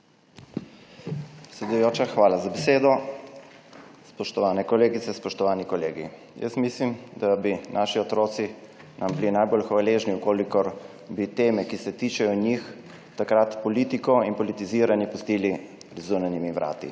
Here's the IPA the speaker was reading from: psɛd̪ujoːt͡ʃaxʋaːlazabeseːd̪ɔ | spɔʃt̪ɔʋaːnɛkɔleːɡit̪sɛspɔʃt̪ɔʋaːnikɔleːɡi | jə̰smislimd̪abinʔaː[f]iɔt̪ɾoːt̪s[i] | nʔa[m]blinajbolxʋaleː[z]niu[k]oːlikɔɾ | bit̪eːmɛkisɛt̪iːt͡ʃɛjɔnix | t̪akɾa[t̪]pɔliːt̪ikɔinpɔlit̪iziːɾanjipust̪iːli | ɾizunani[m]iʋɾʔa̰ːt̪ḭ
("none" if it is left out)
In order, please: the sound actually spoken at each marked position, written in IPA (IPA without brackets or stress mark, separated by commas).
ʃ, i, m, ʒ, k, t̪, m